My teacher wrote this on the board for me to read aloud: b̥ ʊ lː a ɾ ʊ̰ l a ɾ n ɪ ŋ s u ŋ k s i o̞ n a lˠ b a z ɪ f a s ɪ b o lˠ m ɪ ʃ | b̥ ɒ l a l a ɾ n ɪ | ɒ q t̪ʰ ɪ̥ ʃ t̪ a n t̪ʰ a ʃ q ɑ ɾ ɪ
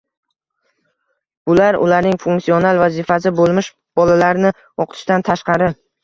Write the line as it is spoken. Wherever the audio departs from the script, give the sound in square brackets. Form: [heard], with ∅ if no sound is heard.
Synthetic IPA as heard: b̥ ʊ [l] a ɾ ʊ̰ l a ɾ n ɪ ŋ [f] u ŋ k s i o̞ n a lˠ [v] a z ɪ f a s ɪ b o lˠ m ɪ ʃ | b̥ ɒ l a l a ɾ n ɪ | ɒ q t̪ʰ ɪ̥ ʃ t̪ a n t̪ʰ a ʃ q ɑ ɾ ɪ